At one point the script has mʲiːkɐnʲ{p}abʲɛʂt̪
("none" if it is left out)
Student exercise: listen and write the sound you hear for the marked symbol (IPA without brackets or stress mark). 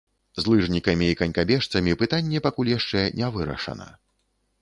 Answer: k